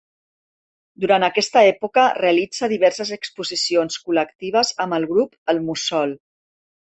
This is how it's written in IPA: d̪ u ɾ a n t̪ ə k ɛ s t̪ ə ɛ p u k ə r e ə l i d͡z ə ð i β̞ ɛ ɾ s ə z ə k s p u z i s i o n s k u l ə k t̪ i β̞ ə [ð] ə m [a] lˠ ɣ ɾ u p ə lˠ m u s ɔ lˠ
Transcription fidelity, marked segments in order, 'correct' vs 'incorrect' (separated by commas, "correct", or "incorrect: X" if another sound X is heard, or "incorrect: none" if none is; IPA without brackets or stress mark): incorrect: z, incorrect: ə